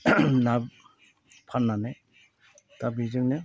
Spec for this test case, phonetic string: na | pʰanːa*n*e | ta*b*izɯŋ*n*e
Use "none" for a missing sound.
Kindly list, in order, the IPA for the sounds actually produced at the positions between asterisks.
n, b, n

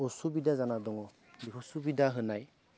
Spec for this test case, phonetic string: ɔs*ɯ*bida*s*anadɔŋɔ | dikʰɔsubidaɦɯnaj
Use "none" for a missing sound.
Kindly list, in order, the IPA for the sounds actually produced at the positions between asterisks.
u, z

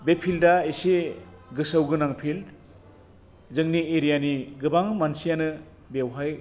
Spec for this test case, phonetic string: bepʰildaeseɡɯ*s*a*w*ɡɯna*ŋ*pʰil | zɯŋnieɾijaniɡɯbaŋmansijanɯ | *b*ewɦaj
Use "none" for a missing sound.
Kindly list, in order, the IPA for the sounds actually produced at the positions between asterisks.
s, w, ŋ, b

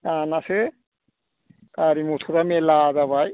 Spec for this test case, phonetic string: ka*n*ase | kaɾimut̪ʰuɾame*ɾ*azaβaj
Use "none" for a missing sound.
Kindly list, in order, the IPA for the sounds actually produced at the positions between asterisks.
n, l

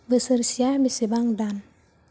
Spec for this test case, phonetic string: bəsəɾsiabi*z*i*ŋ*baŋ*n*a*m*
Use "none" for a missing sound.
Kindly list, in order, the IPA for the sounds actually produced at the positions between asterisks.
s, none, d, n

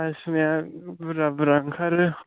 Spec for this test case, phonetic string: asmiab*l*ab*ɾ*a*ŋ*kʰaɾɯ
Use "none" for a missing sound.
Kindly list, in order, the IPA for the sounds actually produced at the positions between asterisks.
ɾ, ɾ, ŋ

